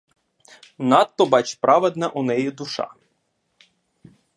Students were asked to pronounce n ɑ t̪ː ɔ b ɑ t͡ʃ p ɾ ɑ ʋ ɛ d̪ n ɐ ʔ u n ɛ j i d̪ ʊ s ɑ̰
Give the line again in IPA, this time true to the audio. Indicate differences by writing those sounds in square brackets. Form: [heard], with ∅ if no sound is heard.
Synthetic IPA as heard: n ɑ t̪ː ɔ b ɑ t͡ʃ p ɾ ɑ ʋ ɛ d̪ n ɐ ʔ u n ɛ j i d̪ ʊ [ʃ] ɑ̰

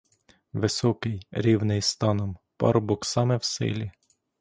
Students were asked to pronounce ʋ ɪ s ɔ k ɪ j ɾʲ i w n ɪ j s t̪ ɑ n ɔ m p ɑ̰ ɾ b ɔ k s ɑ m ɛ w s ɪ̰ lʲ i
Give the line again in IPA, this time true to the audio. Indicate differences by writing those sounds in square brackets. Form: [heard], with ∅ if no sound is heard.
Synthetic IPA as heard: ʋ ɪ s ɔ k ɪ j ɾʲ i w n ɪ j s t̪ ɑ n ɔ m p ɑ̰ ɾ b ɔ k s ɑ m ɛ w s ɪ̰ lʲ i

